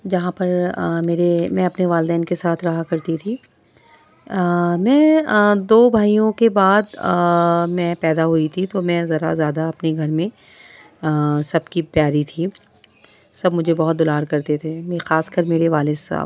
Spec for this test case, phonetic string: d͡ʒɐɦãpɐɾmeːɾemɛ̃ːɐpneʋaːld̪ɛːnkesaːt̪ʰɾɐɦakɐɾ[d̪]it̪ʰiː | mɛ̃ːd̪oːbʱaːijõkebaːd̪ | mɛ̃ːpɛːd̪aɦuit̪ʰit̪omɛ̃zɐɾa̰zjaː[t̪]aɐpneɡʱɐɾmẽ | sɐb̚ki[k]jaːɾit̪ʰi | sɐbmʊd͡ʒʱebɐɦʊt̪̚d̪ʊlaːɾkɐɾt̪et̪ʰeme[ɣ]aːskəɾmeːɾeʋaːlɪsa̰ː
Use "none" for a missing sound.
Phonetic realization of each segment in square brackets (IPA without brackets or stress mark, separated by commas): t̪, d̪, p, x